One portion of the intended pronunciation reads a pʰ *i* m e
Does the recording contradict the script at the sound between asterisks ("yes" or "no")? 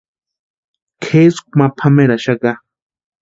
yes